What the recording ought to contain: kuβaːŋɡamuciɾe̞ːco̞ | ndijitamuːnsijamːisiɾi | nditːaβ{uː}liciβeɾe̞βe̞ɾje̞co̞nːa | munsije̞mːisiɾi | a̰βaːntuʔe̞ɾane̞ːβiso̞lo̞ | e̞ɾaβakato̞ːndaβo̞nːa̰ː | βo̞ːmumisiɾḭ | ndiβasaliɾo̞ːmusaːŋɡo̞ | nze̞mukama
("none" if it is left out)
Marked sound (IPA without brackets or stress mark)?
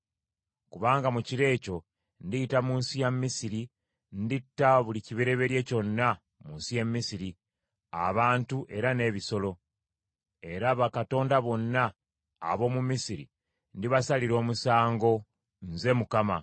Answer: u